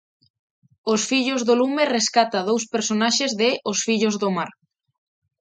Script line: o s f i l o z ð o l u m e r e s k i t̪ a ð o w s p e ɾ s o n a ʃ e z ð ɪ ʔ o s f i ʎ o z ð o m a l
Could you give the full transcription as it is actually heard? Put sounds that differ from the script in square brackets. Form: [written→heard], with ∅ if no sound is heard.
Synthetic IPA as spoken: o s f i [l→ʎ] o z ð o l u m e r e s k [i→a] t̪ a ð o w s p e ɾ s o n a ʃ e z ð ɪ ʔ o s f i ʎ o z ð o m a [l→ɾ]

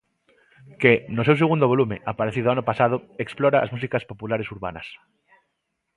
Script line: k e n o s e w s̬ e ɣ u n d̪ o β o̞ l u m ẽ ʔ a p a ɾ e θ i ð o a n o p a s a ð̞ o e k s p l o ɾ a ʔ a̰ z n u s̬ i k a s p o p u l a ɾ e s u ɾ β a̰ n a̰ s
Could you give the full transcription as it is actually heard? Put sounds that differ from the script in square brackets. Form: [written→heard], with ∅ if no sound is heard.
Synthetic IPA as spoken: k e n o s e w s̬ e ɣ u n d̪ o β o̞ l u m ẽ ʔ a p a ɾ e θ i ð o a n o p a s a ð̞ o e k s p l o ɾ a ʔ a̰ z [n→m] u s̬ i k a s p o p u l a ɾ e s u ɾ β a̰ n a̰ s

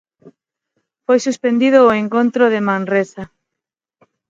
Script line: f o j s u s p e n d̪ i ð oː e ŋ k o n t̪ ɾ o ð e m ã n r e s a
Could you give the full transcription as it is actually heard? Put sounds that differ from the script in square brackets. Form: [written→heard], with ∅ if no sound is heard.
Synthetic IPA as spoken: f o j s u s p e n d̪ i ð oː e ŋ k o n t̪ ɾ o ð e m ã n r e s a

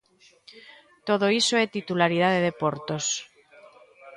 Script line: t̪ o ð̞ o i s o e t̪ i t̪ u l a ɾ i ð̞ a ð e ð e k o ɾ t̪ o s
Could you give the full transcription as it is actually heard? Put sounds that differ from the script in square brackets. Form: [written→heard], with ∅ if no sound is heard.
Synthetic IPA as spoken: t̪ o ð̞ o i s o e t̪ i t̪ u l a ɾ i ð̞ a ð e ð e [k→p] o ɾ t̪ o s

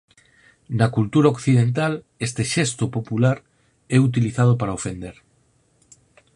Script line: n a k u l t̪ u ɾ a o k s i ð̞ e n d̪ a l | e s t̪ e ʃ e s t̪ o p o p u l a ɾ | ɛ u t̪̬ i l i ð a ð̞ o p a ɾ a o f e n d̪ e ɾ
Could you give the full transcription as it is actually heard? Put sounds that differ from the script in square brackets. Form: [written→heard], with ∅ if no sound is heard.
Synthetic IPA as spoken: n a k u l t̪ u ɾ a o k [s→θ] i ð̞ e n [d̪→t̪] a l | e s t̪ e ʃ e s t̪ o p o p u l a ɾ | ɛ u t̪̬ i l i [ð→θ] a ð̞ o p a ɾ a o f e n d̪ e ɾ

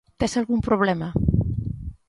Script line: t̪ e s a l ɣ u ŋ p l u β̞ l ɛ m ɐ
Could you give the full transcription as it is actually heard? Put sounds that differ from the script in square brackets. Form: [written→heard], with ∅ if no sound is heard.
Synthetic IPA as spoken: t̪ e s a l ɣ u [ŋ→m] p [l→ɾ] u β̞ l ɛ m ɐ

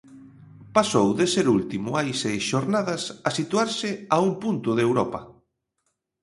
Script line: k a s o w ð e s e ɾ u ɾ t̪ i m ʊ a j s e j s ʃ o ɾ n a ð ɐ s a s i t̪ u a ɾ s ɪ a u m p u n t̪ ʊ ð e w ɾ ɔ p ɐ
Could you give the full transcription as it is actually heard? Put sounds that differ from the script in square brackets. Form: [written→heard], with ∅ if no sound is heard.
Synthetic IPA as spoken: [k→p] a s o w ð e s e ɾ u [ɾ→l] t̪ i m ʊ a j s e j s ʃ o ɾ n a ð ɐ s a s i t̪ u a ɾ s ɪ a u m p u n t̪ ʊ ð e w ɾ ɔ p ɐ

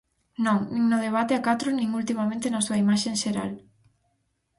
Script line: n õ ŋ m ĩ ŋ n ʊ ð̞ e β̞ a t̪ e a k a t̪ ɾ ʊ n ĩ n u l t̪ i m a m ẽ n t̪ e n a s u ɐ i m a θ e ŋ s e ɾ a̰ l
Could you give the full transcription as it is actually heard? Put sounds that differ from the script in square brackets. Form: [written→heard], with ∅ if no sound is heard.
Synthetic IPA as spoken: n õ ŋ [m→n] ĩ ŋ n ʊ ð̞ e β̞ a t̪ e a k a t̪ ɾ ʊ n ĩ [n→ŋ] u l t̪ i m a m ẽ n t̪ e n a s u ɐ i m a [θ→ʃ] e ŋ [s→ʃ] e ɾ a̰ l

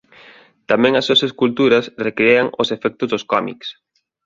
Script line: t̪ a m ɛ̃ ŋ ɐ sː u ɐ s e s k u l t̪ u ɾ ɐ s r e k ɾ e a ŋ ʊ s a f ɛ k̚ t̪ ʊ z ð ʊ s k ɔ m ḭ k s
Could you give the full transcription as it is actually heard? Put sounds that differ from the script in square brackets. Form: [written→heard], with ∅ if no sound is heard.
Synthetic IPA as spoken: t̪ a m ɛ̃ ŋ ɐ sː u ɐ s e s k u l t̪ u ɾ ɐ s r e k ɾ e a ŋ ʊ s [a→e] f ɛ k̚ t̪ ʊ z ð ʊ s k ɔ m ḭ k s

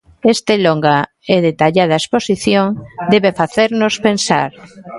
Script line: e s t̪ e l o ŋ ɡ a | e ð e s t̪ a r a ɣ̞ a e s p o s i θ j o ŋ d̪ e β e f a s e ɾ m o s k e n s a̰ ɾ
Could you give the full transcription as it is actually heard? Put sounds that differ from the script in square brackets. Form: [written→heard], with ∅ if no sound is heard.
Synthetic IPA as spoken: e s t̪ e l o ŋ ɡ a | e ð e [s→∅] t̪ a [r→ʎ] a [ɣ̞→ð̞] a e s p o s i θ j o ŋ d̪ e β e f a [s→θ] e ɾ [m→n] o s [k→p] e n s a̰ ɾ

